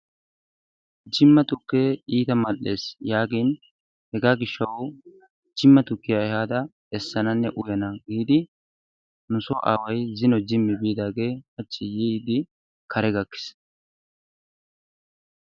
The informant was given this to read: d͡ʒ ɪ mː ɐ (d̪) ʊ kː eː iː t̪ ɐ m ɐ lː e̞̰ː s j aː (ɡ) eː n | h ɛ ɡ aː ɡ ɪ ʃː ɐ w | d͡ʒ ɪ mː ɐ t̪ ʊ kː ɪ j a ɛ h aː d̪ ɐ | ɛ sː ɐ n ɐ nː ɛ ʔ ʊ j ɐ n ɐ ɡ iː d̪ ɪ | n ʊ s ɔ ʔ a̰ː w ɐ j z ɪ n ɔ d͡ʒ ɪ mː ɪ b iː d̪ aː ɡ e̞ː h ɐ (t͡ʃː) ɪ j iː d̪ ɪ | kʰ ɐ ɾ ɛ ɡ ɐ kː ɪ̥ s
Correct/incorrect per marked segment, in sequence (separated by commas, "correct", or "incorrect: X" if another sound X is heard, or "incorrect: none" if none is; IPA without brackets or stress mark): incorrect: t̪, correct, correct